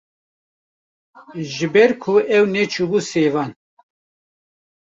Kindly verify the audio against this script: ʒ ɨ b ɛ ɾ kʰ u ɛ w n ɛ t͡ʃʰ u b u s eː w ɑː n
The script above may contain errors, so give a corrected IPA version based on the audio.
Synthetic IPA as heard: ʒ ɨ b ɛ ɾ kʰ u ɛ w n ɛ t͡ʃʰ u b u s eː v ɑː n

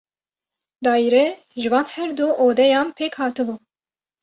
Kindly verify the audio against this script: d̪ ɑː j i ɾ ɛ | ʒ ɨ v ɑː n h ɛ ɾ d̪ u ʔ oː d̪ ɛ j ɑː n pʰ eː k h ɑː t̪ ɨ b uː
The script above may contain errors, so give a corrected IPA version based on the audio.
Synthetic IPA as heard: d̪ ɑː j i ɾ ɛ | ʒ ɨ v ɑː n h ɛ ɾ d̪ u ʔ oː d̪ ɛ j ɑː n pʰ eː k h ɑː t̪ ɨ b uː

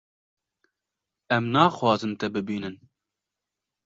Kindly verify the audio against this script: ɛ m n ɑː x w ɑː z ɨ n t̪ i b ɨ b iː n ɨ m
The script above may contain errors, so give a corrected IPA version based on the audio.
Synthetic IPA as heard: ɛ m n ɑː x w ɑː z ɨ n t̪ ɛ b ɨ b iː n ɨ n

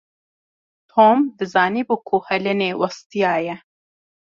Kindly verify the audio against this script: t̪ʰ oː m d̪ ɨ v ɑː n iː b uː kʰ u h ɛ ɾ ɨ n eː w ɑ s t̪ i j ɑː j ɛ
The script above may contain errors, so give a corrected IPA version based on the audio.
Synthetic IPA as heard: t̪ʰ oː m d̪ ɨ z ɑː n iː b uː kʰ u h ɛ l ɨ n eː w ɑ s t̪ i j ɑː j ɛ

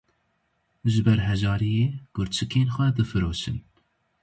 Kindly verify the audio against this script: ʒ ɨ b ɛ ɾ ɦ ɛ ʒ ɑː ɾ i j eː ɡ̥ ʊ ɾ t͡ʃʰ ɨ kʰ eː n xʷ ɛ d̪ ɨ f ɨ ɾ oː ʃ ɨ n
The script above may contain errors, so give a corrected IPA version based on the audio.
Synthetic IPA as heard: ʒ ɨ b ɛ ɾ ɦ ɛ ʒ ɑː ɾ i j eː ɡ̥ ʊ ɾ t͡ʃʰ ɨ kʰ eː n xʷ ɛ d̪ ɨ f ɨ ɾ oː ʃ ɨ n

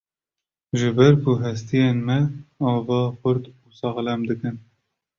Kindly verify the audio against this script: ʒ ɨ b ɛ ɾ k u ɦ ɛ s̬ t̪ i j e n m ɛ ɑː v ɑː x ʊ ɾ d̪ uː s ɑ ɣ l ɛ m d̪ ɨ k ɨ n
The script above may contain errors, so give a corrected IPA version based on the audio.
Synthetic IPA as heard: ʒ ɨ b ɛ ɾ k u ɦ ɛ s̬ t̪ i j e n m ɛ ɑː v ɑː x ʊ ɾ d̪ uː s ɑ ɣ l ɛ m d̪ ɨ k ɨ n

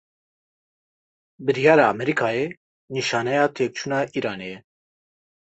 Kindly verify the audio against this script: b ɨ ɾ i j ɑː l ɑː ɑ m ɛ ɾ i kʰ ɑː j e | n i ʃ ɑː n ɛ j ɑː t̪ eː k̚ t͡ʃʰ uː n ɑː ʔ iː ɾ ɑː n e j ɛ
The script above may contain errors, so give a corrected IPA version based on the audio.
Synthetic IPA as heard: b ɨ ɾ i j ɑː ɾ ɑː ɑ m ɛ ɾ i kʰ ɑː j e | n i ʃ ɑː n ɛ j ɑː t̪ʰ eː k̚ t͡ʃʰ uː n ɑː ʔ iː ɾ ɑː n e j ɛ

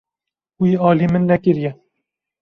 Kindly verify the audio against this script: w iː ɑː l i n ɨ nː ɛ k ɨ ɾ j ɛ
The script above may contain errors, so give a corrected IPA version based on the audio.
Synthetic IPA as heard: w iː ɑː l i m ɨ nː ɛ k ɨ ɾ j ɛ

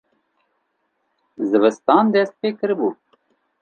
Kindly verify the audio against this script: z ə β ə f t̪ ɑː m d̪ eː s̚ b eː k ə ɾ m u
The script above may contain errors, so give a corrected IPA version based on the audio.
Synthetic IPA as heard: z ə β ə s t̪ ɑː n d̪ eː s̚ p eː k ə ɾ b u

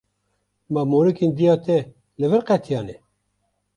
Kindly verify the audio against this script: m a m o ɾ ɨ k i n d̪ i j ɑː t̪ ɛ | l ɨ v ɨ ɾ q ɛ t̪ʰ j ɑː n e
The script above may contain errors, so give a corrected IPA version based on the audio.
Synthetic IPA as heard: m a m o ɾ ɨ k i n d̪ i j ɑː t̪ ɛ | l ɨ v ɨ ɾ q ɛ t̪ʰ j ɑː n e

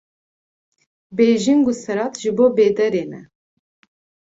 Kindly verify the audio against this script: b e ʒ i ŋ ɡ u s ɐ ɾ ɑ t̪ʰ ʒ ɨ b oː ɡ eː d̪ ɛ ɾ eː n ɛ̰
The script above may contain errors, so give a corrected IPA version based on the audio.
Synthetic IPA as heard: b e ʒ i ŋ ɡ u s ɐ ɾ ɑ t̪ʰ ʒ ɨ b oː b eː d̪ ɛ ɾ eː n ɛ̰

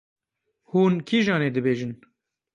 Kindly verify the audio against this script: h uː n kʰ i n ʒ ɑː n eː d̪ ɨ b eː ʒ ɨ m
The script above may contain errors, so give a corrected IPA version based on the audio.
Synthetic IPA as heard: h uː n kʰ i ʒ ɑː n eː d̪ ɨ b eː ʒ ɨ n

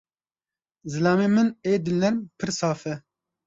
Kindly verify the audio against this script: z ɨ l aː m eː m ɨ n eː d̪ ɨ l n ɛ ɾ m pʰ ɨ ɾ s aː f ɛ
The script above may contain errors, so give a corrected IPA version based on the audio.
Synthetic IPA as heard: z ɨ l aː m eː m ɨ n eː d̪ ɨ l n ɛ ɾ m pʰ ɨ ɾ s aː f ɛ

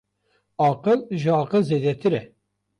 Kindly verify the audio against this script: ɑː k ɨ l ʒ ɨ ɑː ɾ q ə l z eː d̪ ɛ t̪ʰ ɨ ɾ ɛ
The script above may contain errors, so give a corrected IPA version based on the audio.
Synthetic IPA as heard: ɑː q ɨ l ʒ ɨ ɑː q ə l z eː d̪ ɛ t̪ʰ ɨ ɾ ɛ

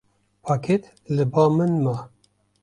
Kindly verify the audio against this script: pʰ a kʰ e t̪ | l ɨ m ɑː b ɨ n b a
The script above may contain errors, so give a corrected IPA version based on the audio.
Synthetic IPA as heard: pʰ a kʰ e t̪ | l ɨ b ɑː m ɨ n m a

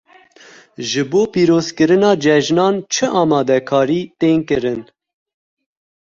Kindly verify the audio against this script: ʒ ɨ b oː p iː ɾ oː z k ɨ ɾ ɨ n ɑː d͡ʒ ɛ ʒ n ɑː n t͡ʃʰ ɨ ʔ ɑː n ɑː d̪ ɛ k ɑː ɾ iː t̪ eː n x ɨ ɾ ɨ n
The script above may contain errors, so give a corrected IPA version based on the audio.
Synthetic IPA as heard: ʒ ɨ b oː p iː ɾ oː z k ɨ ɾ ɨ n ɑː d͡ʒ ɛ ʒ n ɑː n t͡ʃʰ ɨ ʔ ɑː m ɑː d̪ ɛ kʰ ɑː ɾ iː t̪ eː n k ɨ ɾ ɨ n

